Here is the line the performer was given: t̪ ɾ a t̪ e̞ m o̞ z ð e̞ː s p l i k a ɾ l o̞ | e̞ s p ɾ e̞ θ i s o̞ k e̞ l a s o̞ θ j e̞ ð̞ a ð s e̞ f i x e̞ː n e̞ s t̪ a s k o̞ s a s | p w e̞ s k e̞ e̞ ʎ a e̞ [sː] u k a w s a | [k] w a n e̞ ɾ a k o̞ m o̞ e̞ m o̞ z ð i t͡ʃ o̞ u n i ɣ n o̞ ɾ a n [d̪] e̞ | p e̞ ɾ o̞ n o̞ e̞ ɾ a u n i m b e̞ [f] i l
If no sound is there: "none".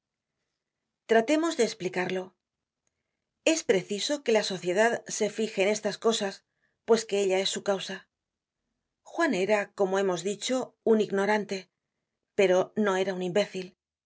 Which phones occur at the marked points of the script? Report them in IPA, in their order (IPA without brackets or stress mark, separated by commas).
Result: sː, x, t̪, θ